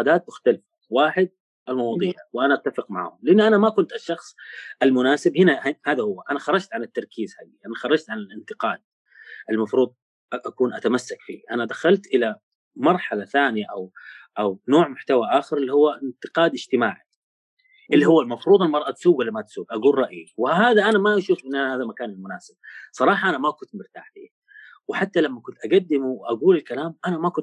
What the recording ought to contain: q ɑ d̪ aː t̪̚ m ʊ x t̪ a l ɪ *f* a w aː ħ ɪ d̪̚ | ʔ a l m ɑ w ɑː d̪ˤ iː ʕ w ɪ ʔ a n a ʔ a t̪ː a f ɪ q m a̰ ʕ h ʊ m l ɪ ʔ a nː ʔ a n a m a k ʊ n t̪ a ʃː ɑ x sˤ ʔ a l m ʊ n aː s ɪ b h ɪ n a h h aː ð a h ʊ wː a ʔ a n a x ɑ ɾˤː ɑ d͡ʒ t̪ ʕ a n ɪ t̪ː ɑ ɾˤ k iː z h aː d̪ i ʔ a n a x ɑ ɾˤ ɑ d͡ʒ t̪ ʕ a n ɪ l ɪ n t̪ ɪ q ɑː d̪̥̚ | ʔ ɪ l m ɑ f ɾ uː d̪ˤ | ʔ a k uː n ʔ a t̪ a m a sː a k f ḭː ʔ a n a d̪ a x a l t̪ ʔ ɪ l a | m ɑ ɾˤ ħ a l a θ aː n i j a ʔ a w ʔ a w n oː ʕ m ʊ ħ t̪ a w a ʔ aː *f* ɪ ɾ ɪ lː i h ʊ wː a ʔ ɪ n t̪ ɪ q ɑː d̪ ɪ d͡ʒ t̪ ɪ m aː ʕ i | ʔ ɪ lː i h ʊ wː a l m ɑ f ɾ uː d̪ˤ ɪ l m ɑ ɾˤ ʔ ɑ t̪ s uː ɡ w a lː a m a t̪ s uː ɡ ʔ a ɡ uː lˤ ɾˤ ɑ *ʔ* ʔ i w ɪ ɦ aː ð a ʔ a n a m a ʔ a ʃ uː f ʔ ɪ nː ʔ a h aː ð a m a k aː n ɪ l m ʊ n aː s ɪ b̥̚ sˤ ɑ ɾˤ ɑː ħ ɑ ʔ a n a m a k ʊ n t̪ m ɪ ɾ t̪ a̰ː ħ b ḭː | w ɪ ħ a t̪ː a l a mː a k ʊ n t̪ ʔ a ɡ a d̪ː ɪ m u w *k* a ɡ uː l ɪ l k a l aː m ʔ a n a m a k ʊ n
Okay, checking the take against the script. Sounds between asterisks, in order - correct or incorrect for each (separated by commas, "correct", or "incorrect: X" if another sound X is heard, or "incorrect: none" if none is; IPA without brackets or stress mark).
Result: correct, incorrect: x, correct, incorrect: ʔ